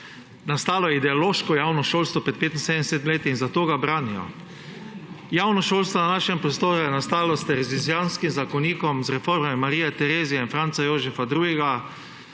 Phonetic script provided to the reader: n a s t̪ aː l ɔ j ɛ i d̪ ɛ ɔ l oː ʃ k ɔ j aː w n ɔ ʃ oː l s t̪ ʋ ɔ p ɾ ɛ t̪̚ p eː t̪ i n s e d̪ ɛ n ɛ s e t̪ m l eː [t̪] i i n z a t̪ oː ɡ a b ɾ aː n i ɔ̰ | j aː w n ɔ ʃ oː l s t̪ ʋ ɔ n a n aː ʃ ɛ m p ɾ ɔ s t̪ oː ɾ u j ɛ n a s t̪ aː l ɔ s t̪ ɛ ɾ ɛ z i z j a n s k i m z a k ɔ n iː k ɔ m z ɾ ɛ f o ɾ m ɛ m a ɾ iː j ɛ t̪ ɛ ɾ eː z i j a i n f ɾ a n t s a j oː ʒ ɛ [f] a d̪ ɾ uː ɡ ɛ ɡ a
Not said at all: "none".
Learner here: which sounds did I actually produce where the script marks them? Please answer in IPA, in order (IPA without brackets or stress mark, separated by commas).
t̪, f